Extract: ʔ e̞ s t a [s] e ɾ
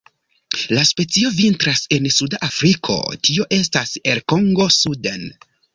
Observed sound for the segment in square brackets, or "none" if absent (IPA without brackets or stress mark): s